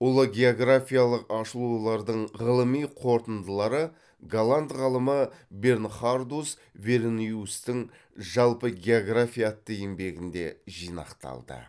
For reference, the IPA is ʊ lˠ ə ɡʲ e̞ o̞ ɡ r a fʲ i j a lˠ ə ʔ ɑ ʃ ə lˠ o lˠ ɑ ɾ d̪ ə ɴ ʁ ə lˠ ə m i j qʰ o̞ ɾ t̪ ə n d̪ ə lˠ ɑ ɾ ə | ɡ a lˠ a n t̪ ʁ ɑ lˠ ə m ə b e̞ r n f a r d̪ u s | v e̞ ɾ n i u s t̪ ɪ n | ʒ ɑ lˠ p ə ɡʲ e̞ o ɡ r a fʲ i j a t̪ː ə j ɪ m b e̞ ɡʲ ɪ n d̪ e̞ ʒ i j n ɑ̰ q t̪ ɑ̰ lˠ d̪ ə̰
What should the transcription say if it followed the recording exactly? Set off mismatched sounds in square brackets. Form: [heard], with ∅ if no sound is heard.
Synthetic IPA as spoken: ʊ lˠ ə ɡʲ e̞ o̞ ɡ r a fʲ i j a lˠ ə [q] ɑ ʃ ə lˠ [u] lˠ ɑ ɾ d̪ ə ɴ ʁ ə lˠ ə m i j qʰ o̞ ɾ t̪ ə n d̪ ə lˠ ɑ ɾ ə | ɡ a lˠ a n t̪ ʁ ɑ lˠ ə m ə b e̞ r n [χ] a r d̪ u s | v e̞ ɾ n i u s t̪ ɪ [ŋ] | ʒ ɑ lˠ p ə ɡʲ e̞ o ɡ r a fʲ i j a t̪ː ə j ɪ m b e̞ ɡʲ ɪ n d̪ e̞ ʒ i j n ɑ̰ q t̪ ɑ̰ lˠ d̪ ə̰